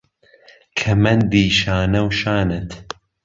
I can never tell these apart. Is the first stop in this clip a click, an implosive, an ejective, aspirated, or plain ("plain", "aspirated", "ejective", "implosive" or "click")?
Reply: aspirated